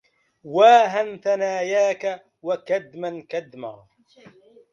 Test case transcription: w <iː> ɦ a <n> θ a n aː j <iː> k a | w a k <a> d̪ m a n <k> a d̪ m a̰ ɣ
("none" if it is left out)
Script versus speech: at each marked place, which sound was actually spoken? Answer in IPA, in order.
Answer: aː, n, aː, a, k

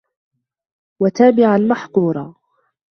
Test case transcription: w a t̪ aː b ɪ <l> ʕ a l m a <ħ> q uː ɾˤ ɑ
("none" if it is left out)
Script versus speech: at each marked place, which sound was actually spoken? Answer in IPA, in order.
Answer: none, ħ

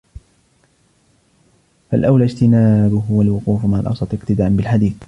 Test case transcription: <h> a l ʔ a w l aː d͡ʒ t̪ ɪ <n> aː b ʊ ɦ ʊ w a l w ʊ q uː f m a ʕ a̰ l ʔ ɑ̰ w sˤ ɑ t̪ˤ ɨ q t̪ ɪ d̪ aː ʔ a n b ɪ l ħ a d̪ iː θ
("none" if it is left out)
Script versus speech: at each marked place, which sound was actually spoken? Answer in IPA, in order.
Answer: f, n

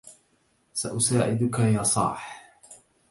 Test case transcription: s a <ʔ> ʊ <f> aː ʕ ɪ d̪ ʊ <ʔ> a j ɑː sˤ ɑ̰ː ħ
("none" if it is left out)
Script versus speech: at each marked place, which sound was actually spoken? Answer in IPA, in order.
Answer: ʔ, s, k

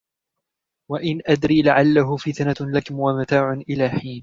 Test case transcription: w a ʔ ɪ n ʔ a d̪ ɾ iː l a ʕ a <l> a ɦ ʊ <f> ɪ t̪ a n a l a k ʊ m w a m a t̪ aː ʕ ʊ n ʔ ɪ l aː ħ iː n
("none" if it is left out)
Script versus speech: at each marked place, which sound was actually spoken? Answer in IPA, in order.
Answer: lː, f

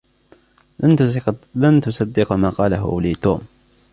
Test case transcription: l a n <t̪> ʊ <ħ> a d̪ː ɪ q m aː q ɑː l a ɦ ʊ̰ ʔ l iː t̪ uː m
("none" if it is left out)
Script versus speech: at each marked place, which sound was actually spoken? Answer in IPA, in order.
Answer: t̪, s

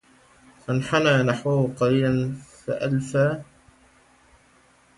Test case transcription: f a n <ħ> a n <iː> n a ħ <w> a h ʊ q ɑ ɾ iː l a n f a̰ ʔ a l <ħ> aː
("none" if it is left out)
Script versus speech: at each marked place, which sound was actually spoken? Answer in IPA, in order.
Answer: ħ, aː, w, f

